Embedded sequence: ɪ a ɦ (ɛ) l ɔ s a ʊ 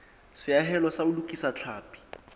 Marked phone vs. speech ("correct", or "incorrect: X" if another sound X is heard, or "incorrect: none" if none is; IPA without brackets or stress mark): correct